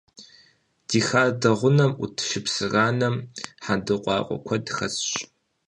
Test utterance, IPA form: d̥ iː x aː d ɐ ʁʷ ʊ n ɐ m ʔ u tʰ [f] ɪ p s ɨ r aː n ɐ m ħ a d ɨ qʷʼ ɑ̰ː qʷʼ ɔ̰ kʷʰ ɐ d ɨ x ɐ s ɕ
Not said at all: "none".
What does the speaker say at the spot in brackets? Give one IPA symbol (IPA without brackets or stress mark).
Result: ʃ